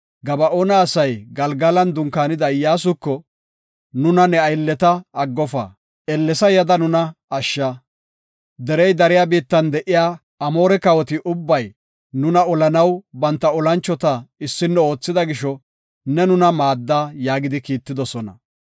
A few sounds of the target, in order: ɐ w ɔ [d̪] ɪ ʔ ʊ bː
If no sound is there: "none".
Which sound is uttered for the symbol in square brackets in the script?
t̪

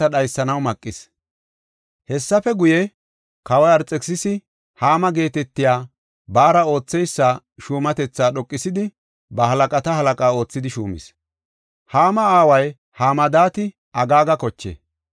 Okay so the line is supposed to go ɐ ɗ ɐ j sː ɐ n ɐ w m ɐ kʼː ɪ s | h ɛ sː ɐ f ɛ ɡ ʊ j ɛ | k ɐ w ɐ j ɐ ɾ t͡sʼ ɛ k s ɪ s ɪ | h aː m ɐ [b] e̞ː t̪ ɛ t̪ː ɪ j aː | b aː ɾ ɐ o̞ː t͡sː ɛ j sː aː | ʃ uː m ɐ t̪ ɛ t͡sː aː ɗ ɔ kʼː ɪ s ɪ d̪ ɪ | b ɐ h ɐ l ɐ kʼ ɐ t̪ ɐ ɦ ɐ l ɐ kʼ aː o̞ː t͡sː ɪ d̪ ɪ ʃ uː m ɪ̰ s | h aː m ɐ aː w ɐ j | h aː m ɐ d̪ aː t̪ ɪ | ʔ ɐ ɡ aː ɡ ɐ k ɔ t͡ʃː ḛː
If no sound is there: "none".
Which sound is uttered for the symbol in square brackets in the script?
ɡ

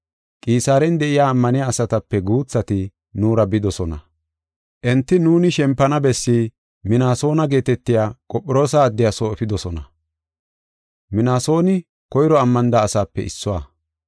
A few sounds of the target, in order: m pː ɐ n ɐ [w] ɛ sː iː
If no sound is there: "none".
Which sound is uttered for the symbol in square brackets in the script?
b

